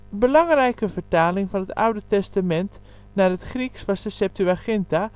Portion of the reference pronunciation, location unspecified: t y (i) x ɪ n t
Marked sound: incorrect: a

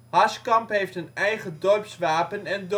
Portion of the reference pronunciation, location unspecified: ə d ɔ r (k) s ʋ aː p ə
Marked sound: incorrect: p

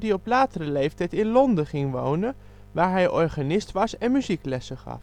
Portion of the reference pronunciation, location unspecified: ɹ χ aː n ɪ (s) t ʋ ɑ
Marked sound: correct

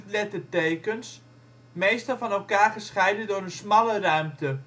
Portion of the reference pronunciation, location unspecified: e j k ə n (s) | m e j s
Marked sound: correct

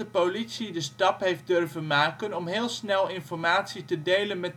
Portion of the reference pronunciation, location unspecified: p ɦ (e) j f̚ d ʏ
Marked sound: correct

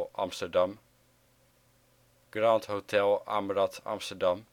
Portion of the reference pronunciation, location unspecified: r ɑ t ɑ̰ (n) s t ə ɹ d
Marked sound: incorrect: m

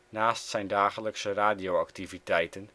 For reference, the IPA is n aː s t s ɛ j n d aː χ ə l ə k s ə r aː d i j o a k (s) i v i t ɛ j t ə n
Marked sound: incorrect: t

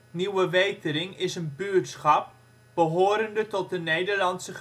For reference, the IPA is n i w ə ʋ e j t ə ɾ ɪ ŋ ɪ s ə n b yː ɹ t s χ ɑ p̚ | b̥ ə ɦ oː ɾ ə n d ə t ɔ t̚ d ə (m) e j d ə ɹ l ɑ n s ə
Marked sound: incorrect: n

